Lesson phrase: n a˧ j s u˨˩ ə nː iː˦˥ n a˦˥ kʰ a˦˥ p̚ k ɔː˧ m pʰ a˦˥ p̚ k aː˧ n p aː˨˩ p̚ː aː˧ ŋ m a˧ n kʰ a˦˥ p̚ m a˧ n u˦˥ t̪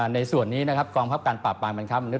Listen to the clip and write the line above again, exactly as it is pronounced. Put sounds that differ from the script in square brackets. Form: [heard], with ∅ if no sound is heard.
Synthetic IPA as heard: n a˧ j s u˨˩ ə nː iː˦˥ n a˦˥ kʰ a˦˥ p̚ k ɔː˧ [ŋ] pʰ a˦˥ p̚ k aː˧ n p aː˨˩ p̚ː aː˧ ŋ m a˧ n kʰ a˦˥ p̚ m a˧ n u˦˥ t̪